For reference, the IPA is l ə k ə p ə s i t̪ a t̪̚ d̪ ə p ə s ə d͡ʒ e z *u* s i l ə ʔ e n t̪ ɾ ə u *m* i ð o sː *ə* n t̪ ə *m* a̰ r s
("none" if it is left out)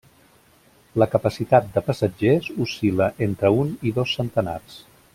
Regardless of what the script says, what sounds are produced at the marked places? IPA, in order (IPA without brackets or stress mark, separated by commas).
u, n, ə, n